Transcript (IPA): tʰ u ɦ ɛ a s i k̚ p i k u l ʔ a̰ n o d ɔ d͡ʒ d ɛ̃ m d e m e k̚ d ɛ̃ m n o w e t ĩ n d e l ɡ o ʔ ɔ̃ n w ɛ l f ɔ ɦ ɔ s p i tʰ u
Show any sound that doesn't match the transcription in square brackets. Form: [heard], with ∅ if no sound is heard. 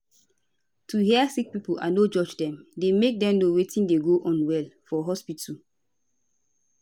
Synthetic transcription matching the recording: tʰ u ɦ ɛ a s i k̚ p i [p] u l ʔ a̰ n o [d͡ʒ] ɔ d͡ʒ d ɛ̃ m d e m e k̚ d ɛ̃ m n o w e t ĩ n d e [∅] ɡ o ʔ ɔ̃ n w ɛ l f ɔ ɦ ɔ s p i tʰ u